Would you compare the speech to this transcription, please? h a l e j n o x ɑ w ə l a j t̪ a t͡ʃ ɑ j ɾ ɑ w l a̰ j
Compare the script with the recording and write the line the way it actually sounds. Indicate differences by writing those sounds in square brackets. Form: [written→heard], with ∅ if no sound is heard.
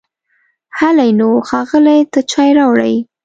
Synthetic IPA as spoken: h a l [e→a] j n o x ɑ [w→ɣ] ə l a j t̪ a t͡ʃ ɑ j ɾ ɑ w [l→ɽ] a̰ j